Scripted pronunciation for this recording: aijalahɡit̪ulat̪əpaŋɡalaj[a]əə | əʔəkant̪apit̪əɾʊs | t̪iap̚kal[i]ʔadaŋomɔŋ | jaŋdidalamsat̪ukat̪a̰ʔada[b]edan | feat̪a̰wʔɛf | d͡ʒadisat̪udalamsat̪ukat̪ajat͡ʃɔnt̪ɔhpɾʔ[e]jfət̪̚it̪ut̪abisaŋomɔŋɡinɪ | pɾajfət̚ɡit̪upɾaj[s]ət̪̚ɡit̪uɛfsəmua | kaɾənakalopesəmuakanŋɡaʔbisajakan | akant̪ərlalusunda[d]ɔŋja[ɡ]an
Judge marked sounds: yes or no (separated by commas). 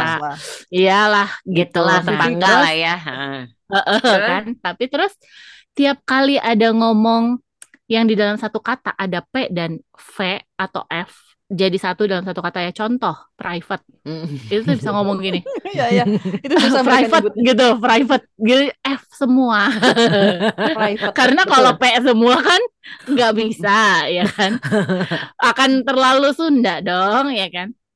yes, yes, no, no, no, yes, no